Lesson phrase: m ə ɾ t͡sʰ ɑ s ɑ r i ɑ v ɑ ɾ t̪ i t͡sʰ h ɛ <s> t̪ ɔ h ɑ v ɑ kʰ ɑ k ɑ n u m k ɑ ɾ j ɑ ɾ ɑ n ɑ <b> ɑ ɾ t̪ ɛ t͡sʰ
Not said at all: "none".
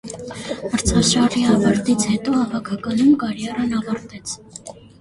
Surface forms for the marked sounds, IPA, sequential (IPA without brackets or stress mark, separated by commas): none, v